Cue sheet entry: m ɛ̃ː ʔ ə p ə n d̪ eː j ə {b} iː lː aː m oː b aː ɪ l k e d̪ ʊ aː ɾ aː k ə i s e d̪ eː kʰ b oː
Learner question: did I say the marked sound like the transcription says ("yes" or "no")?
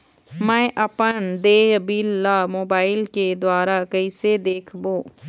yes